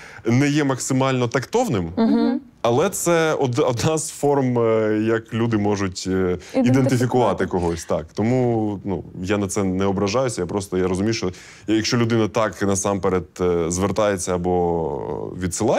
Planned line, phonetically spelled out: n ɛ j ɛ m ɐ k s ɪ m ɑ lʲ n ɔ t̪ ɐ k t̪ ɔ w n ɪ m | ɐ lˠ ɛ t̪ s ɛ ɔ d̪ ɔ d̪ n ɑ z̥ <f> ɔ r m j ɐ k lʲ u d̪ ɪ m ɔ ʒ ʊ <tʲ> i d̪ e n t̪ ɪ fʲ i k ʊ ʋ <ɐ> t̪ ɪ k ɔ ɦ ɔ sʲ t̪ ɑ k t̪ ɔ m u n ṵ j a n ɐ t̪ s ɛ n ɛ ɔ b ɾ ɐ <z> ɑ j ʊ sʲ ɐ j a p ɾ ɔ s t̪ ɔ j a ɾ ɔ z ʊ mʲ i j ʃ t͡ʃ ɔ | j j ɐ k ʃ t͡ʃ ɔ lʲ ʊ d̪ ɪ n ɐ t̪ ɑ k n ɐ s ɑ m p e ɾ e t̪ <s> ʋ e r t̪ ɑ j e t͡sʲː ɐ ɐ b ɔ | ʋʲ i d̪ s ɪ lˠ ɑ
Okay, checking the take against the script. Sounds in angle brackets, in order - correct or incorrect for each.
correct, correct, incorrect: ɑ, incorrect: ʒ, incorrect: z

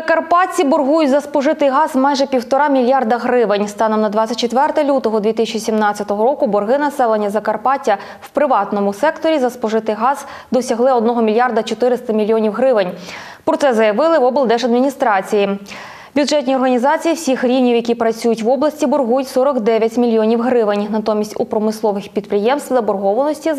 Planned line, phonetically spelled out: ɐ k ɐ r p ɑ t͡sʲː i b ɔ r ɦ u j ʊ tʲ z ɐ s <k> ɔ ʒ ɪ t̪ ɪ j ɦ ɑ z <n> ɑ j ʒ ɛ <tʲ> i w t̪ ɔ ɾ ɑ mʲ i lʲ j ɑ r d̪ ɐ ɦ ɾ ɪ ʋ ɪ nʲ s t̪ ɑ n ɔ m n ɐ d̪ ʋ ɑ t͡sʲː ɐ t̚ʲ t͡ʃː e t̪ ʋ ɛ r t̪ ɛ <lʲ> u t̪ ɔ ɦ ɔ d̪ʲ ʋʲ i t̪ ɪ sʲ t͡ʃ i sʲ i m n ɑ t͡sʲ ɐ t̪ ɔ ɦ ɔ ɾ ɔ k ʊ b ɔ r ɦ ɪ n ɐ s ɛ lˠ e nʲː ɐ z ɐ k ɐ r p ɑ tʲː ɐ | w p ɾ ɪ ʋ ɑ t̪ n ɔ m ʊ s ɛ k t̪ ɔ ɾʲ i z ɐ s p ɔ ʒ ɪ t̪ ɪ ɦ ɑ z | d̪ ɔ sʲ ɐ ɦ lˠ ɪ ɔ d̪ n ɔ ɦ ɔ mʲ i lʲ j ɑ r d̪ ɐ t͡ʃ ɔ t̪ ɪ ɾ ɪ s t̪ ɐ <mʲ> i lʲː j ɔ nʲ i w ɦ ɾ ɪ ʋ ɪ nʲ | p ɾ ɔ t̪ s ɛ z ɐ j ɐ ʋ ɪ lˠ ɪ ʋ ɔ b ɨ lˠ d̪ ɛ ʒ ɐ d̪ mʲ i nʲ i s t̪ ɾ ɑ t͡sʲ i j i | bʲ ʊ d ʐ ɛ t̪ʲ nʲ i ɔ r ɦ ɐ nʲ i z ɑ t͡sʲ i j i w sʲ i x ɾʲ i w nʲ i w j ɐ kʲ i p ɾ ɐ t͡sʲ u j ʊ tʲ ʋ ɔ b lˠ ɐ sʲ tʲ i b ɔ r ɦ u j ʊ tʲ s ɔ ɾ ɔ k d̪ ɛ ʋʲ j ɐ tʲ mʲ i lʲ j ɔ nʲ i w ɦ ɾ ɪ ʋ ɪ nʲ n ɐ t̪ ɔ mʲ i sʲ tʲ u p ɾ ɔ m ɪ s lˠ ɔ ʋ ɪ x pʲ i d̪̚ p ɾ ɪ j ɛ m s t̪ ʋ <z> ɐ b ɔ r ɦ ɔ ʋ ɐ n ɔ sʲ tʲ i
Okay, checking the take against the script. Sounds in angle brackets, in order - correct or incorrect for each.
incorrect: p, incorrect: m, incorrect: pʲ, correct, correct, correct

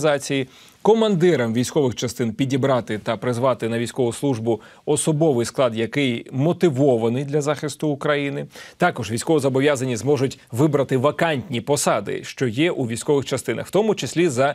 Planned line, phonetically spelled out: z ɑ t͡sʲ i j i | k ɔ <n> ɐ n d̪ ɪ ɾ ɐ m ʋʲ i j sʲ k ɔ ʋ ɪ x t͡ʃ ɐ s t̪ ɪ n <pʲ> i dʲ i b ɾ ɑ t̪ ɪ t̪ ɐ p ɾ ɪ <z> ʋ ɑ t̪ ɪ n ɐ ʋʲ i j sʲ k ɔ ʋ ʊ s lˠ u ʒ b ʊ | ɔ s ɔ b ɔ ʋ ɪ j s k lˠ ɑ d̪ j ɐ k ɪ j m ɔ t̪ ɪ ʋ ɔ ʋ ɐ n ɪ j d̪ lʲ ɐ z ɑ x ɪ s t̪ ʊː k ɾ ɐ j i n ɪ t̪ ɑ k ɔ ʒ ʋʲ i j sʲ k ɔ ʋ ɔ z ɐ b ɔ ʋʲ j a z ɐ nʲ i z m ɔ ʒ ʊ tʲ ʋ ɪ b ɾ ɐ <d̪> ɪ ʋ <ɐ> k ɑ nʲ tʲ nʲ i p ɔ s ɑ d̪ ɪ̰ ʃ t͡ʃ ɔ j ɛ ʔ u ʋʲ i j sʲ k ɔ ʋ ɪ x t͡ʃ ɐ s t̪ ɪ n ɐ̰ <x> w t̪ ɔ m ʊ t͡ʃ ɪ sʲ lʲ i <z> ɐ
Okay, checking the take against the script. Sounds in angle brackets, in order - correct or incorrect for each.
incorrect: m, correct, correct, incorrect: t̪, correct, correct, correct

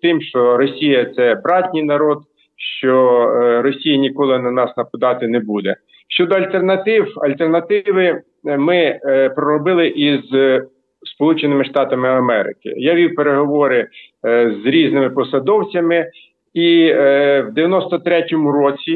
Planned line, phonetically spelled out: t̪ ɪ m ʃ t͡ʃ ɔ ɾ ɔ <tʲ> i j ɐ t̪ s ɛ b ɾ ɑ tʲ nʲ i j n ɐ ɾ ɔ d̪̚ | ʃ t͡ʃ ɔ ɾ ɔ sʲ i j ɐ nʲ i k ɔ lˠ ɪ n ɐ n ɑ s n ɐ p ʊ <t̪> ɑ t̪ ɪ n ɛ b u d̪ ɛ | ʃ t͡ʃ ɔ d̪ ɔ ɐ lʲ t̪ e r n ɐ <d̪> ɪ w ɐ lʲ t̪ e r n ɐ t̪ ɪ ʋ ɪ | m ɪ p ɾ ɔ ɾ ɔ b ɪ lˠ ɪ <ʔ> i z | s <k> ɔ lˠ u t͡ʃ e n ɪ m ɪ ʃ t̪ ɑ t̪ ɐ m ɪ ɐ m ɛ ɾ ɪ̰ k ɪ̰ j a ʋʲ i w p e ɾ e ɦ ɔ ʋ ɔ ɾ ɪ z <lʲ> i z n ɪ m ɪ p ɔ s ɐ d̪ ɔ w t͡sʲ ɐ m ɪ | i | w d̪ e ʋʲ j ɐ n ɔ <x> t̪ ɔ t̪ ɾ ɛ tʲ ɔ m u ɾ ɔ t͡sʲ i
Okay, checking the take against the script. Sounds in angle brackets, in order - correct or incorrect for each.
incorrect: sʲ, incorrect: d̪, incorrect: t̪, correct, incorrect: p, incorrect: ɾʲ, incorrect: s

